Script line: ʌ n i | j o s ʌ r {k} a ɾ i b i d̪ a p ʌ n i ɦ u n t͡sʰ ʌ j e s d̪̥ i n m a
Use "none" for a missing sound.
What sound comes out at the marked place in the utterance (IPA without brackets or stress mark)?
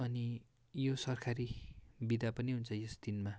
kʰ